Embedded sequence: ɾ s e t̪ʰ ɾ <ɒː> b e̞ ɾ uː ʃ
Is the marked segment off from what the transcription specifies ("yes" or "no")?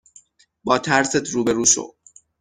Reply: yes